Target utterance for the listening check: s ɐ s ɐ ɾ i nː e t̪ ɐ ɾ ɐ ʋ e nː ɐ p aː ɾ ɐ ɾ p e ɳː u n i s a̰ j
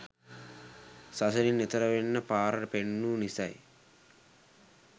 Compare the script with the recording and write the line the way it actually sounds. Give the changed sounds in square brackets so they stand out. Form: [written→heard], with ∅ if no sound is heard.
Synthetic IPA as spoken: s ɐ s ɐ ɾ i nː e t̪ ɐ ɾ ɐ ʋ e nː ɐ p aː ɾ ɐ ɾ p e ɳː u n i s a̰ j